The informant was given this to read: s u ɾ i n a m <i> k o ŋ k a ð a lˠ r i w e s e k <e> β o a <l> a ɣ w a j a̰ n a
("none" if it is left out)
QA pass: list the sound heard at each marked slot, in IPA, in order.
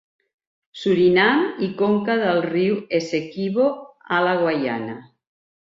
i, i, l

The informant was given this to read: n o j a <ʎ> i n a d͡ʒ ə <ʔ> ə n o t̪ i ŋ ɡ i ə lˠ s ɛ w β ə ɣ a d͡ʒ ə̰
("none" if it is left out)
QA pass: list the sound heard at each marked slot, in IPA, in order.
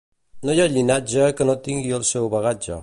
ʎ, k

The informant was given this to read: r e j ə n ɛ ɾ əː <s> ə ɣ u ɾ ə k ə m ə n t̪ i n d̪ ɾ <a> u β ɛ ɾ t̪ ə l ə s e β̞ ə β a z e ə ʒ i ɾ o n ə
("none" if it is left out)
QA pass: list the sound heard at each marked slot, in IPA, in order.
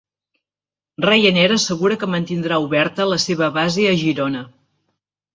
s, a

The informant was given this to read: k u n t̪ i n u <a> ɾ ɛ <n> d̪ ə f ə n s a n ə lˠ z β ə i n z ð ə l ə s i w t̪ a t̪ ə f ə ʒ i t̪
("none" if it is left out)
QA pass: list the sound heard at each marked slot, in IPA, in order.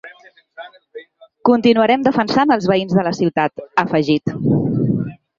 ə, m

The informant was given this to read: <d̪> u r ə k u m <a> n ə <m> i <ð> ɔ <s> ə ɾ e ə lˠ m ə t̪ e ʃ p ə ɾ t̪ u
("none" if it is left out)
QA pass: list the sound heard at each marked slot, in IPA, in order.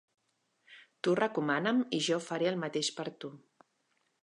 t̪, a, m, ʒ, f

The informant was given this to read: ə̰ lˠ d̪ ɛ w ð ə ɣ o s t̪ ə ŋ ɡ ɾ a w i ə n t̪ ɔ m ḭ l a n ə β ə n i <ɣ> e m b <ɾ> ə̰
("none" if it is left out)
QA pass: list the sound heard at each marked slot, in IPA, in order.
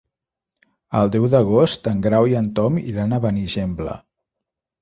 ʒ, l

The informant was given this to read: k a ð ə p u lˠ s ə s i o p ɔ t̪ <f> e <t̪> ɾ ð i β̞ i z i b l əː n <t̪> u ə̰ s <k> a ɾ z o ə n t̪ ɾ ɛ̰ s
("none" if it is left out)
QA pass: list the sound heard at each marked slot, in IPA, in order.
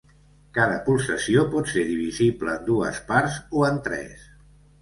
s, none, d̪, p

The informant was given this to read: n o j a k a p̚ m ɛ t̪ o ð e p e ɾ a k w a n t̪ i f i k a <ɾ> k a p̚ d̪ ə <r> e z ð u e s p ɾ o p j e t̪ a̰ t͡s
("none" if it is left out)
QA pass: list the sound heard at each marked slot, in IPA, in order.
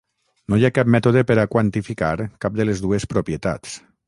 ɾ, l

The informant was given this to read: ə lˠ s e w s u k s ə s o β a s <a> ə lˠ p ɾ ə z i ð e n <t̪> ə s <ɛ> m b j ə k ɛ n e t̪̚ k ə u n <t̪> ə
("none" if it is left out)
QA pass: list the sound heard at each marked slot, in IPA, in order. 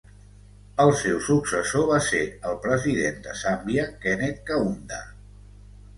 e, d̪, a, d̪

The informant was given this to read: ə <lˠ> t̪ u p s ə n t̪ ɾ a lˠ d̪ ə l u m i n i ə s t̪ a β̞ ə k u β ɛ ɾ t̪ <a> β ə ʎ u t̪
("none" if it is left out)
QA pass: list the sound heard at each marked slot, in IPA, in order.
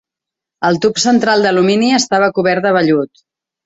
lˠ, ə

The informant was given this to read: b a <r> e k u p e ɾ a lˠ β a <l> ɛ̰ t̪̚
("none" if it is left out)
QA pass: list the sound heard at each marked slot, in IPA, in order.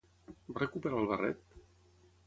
r, r

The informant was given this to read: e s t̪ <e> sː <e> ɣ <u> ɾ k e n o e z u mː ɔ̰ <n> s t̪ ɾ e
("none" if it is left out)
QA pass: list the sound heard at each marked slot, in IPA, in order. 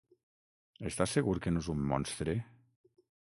a, e, u, n

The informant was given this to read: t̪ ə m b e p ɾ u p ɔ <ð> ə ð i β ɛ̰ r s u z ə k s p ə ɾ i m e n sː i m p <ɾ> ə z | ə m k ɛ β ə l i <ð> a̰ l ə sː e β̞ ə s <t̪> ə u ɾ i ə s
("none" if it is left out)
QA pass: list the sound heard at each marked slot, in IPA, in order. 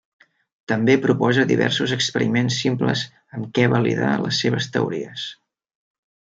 z, l, ð, t̪

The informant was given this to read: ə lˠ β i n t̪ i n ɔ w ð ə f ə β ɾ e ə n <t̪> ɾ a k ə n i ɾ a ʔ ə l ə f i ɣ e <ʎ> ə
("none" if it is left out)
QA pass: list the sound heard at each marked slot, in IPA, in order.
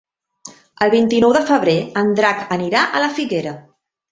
d̪, ɾ

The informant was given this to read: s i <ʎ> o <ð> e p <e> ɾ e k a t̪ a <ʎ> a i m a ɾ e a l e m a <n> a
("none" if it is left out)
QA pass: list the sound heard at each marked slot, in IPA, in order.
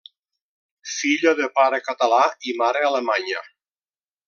ʎ, ð, a, l, ɲ

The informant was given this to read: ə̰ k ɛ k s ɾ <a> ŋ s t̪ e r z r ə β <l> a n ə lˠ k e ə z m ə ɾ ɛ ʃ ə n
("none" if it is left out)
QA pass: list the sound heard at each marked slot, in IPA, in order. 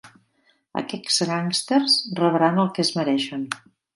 a, ɾ

